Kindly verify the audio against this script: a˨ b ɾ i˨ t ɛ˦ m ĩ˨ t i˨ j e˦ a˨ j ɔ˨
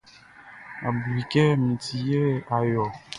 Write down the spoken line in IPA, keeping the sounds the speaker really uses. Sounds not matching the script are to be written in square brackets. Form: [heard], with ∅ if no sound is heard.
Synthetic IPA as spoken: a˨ b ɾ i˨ [k] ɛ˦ m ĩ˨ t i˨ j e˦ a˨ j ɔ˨